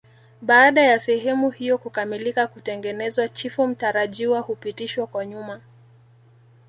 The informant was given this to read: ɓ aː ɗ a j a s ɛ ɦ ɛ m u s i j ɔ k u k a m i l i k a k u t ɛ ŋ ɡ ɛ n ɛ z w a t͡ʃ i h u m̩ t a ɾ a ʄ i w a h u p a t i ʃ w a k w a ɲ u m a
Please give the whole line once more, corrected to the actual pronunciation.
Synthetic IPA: ɓ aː ɗ a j a s ɛ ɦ ɛ m u h i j ɔ k u k a m i l i k a k u t ɛ ŋ ɡ ɛ n ɛ z w a t͡ʃ i f u m̩ t a ɾ a ʄ i w a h u p i t i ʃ w a k w a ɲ u m a